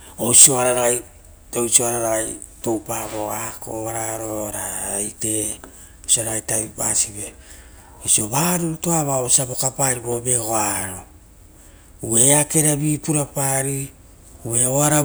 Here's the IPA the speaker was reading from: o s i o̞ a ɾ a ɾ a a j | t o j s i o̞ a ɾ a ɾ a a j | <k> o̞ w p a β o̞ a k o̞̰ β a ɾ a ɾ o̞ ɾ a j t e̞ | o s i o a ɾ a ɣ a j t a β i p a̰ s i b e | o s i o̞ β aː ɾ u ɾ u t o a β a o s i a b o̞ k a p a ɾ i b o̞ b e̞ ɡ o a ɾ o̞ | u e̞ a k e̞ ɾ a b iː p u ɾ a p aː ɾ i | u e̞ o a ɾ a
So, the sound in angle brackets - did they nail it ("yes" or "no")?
no